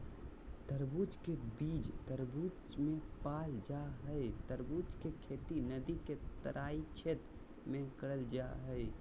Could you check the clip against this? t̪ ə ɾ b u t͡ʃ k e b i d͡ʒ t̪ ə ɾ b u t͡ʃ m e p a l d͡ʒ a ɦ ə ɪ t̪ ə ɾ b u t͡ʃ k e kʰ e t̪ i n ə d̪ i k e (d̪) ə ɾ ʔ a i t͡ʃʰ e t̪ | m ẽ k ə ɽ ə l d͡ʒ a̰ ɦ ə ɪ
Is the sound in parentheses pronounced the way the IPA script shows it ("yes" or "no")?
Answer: no